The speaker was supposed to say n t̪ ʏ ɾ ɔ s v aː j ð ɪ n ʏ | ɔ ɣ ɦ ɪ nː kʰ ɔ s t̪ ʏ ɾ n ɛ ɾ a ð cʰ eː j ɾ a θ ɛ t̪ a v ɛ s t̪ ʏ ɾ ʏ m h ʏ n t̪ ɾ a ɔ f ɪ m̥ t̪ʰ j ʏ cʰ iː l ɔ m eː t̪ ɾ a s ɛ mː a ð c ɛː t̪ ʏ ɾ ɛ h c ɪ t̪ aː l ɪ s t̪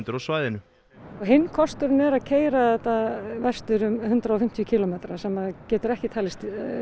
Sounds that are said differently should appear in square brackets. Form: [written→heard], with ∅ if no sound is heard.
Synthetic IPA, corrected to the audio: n t̪ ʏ ɾ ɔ s v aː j ð ɪ n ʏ | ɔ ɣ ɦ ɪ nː kʰ ɔ s t̪ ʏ ɾ n ɛ ɾ a ð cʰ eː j ɾ a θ ɛ t̪ a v ɛ s t̪ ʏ ɾ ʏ m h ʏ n t̪ ɾ a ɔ f ɪ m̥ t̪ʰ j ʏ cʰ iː l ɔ m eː t̪ ɾ a s ɛ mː a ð c ɛː t̪ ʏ ɾ ɛ h c ɪ [t̪→t̪ʰ] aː l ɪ s t̪

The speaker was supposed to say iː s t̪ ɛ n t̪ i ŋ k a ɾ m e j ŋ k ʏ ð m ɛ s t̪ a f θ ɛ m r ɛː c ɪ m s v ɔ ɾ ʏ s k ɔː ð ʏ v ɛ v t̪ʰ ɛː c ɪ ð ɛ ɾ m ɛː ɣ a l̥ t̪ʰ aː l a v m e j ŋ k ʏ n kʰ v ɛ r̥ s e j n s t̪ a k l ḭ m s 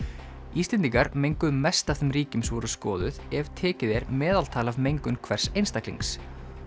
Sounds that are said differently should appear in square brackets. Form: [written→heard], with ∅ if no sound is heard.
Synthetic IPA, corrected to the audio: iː s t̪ ɛ n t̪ i ŋ k a ɾ m e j ŋ k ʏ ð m ɛ s t̪ a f θ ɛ m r [ɛː→iː] c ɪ m s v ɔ ɾ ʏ s k ɔː ð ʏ [v→ð] ɛ v t̪ʰ ɛː c ɪ ð ɛ ɾ m ɛː [ɣ→ð] a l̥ t̪ʰ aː l a v m e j ŋ k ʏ n kʰ v ɛ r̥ s e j n s t̪ a k l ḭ [m→ŋ] s

